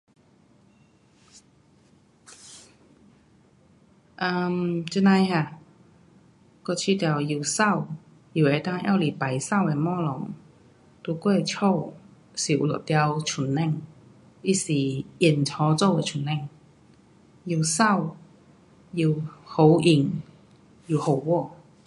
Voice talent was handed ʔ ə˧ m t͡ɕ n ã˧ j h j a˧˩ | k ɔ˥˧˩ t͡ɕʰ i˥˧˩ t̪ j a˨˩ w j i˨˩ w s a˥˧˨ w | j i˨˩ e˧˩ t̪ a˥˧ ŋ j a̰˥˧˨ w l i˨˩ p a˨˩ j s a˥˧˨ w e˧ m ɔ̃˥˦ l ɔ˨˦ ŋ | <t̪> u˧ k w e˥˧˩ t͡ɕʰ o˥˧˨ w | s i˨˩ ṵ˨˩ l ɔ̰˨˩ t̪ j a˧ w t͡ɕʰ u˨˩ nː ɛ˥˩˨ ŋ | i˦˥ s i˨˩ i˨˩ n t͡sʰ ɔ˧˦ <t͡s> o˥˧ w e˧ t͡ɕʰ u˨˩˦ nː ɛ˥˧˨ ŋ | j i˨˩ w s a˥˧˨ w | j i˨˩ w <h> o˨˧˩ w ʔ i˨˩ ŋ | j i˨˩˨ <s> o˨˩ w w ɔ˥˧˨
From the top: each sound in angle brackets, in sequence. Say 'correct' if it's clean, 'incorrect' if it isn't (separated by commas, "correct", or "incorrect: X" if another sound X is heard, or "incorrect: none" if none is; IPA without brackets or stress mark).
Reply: correct, correct, correct, incorrect: h